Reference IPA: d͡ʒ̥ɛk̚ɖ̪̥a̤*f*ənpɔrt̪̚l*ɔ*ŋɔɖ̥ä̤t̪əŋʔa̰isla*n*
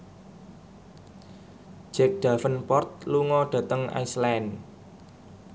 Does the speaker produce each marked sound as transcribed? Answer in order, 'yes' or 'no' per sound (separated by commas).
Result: yes, no, yes